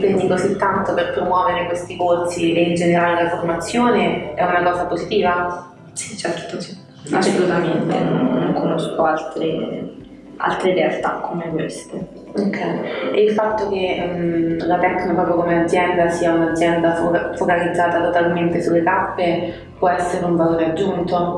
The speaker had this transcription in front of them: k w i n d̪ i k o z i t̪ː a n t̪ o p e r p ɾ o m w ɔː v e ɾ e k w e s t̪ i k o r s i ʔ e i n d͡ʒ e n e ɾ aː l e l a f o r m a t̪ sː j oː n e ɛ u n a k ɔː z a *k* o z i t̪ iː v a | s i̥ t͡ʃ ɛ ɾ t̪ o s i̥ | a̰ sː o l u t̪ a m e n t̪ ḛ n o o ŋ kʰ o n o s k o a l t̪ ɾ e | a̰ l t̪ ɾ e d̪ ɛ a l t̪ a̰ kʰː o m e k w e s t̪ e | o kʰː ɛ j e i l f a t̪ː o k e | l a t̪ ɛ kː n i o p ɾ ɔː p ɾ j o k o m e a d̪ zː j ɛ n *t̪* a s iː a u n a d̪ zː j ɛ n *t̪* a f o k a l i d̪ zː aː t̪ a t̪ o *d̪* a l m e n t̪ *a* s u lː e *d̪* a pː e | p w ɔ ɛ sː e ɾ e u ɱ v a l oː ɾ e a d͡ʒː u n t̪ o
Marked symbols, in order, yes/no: no, no, no, no, no, no

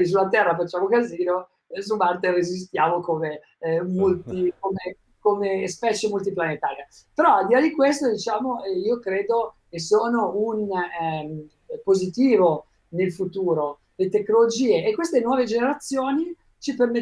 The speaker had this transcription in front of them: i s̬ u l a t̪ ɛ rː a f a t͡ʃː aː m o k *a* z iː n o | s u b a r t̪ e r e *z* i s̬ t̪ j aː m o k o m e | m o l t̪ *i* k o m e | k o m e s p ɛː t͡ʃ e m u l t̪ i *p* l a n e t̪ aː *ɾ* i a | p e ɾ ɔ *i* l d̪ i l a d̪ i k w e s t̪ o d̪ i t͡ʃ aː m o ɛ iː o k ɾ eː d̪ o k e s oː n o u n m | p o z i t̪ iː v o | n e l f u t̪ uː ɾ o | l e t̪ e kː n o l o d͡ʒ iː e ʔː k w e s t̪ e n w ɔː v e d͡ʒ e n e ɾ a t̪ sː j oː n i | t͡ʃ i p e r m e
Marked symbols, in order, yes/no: yes, yes, yes, yes, yes, no

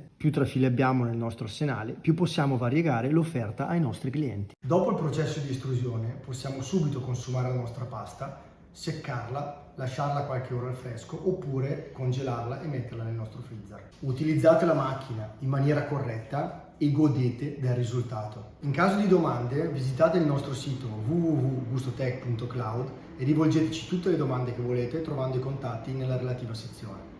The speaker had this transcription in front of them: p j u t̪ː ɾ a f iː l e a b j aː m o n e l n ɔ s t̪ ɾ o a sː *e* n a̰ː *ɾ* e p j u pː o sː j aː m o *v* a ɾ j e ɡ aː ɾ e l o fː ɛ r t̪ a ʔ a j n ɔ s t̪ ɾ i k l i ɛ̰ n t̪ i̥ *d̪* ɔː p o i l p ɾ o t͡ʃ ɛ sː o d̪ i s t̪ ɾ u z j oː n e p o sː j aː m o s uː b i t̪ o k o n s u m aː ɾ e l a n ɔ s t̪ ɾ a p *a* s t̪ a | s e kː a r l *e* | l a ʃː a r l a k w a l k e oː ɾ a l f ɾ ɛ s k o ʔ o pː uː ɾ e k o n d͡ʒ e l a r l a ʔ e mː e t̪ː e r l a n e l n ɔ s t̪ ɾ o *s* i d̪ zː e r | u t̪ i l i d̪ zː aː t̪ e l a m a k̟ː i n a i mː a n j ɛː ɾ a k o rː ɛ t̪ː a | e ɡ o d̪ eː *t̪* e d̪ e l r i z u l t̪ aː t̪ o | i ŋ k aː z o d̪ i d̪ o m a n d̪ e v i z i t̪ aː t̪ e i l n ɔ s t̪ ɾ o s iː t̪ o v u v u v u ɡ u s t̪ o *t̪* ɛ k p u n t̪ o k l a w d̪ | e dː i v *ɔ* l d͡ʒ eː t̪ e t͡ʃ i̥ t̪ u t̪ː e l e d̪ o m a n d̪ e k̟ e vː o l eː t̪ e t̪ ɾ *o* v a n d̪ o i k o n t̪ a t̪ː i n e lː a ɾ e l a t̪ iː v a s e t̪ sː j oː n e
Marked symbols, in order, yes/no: yes, no, yes, yes, yes, no, no, yes, yes, no, yes

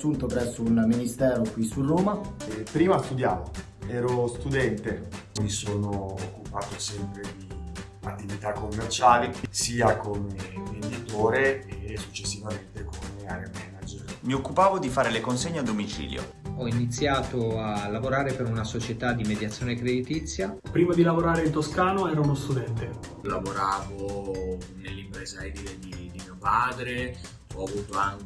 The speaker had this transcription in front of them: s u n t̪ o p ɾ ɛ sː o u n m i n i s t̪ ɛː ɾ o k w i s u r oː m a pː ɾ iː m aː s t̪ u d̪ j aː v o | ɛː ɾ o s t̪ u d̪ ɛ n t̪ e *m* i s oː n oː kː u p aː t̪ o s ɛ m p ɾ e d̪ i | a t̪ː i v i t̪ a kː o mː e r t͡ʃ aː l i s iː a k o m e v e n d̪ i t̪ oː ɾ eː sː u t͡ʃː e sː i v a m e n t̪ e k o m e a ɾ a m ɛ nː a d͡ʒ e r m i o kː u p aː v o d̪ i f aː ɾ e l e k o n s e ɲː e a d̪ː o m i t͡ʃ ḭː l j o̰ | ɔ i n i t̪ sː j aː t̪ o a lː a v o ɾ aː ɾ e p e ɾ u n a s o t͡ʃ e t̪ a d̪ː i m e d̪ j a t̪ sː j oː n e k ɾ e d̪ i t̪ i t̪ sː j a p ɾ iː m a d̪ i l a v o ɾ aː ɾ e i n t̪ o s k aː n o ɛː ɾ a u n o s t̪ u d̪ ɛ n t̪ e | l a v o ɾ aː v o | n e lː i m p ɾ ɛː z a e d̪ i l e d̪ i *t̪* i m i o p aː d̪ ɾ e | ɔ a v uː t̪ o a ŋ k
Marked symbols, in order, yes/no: yes, no

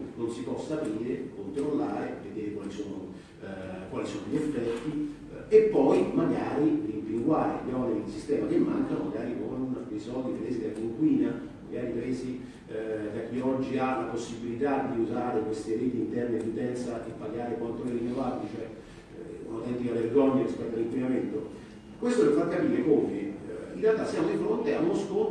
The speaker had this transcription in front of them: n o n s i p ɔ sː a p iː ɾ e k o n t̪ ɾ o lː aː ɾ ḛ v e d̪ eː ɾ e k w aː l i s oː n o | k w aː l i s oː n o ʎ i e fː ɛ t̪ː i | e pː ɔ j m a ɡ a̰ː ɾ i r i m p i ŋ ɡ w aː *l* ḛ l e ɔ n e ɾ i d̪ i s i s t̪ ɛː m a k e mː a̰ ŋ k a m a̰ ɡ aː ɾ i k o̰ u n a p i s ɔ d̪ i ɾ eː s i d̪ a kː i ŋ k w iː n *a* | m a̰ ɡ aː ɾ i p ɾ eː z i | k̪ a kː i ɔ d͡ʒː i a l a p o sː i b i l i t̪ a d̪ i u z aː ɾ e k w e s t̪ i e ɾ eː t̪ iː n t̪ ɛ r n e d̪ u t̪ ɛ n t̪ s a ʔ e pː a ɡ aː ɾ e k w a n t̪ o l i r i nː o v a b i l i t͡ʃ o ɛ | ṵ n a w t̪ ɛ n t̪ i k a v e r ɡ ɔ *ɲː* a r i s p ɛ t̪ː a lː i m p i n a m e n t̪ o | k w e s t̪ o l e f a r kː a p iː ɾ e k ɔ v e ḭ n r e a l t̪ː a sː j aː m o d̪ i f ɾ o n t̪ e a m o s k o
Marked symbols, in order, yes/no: no, yes, yes

